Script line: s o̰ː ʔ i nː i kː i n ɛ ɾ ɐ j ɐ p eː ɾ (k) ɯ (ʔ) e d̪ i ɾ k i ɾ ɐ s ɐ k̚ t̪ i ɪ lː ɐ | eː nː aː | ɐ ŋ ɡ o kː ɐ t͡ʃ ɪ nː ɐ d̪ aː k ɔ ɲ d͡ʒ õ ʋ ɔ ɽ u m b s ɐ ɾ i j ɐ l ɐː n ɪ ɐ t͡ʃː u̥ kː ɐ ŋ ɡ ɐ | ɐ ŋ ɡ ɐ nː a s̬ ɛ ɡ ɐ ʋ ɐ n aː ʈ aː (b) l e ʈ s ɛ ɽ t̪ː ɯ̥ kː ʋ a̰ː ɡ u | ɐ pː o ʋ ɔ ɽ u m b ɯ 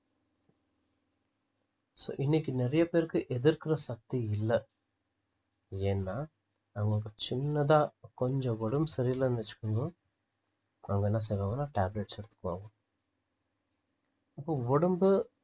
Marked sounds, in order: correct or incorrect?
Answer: correct, correct, correct

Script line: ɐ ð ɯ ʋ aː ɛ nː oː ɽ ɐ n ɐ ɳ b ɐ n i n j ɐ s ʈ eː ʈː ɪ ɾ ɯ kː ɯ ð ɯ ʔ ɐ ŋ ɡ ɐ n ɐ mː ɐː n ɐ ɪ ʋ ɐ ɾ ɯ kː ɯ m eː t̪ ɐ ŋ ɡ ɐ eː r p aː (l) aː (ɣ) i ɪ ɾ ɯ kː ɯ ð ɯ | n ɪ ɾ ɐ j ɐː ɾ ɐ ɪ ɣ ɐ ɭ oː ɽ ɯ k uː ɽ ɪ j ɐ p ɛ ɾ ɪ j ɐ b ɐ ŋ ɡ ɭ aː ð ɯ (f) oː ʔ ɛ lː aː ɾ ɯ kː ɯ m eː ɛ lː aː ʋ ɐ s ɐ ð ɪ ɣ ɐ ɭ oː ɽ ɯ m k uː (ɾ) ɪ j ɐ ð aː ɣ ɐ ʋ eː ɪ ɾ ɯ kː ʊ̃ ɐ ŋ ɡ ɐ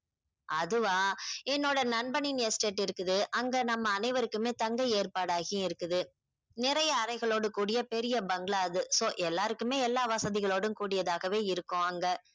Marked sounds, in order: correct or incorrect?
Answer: incorrect, correct, incorrect, incorrect

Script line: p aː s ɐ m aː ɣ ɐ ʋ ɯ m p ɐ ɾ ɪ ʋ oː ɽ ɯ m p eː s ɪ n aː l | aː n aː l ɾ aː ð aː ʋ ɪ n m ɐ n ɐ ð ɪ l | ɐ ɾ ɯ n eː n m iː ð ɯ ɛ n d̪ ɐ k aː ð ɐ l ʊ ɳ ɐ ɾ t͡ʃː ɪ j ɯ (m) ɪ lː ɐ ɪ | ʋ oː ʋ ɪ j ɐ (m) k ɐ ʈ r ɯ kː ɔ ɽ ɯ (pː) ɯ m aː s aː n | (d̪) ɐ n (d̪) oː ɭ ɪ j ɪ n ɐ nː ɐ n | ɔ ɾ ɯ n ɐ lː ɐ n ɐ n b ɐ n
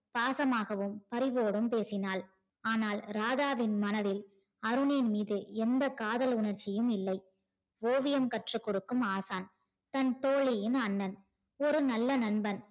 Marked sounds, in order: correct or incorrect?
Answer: correct, correct, incorrect, incorrect, incorrect

